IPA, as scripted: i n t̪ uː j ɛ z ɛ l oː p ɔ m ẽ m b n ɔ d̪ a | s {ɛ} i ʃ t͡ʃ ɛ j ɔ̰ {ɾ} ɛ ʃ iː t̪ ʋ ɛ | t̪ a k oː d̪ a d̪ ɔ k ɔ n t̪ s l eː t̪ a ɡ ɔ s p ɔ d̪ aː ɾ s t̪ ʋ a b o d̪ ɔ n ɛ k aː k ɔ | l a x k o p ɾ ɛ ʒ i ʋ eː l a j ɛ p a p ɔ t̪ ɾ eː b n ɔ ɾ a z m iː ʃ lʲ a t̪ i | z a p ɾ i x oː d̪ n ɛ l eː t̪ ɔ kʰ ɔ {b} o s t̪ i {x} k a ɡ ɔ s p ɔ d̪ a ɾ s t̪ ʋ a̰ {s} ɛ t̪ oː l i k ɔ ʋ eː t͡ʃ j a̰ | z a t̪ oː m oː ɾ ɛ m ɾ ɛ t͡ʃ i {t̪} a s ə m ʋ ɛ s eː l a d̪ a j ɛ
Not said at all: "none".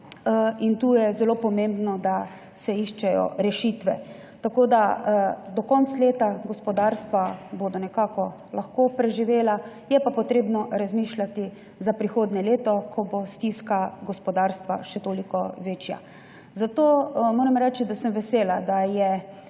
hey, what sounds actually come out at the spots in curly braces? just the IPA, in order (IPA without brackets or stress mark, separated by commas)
ɛ, ɾ, b, s, ʃ, d̪